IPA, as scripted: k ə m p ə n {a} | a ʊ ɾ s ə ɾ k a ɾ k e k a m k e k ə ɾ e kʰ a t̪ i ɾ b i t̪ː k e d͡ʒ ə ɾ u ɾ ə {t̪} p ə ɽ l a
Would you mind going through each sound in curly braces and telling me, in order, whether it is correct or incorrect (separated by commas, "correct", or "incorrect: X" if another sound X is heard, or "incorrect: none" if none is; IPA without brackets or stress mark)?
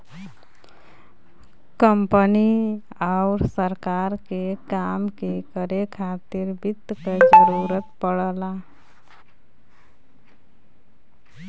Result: incorrect: i, correct